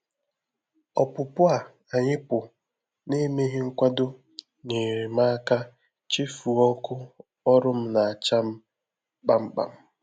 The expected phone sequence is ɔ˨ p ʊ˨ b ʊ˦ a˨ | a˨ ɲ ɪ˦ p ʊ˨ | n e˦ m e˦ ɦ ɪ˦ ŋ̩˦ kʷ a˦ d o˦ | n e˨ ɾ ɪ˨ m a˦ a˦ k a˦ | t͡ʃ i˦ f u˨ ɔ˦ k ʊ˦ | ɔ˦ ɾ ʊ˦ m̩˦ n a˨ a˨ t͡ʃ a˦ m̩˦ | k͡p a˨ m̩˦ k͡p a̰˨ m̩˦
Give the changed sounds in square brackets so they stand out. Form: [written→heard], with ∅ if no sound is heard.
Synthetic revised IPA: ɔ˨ p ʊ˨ [b→p] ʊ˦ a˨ | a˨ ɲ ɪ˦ p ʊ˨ | n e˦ m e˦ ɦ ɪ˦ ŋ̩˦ kʷ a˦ d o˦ | n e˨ ɾ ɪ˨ m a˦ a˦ k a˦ | t͡ʃ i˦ f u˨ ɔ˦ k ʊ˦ | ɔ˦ ɾ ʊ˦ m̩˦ n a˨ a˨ t͡ʃ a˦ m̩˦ | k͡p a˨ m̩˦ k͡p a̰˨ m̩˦